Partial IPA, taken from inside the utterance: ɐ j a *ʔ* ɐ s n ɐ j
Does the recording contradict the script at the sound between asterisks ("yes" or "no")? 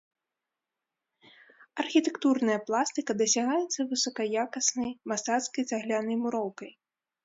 yes